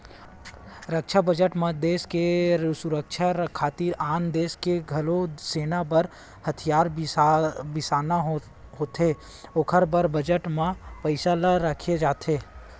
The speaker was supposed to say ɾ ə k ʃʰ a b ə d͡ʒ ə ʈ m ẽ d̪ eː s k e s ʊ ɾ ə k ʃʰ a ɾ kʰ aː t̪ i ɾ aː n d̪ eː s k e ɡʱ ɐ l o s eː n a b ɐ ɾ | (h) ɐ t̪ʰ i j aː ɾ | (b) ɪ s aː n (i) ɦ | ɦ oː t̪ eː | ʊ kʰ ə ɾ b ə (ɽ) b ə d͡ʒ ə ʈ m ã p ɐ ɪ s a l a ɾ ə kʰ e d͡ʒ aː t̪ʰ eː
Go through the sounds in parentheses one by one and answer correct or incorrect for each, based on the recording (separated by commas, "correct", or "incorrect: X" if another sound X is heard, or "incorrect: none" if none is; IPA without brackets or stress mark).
correct, correct, incorrect: a, incorrect: ɾ